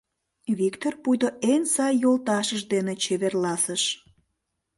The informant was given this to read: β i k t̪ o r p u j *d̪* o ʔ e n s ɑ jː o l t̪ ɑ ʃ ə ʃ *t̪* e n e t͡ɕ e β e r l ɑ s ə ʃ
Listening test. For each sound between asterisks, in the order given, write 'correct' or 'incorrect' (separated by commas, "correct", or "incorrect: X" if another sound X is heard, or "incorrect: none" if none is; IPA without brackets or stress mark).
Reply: correct, incorrect: d̪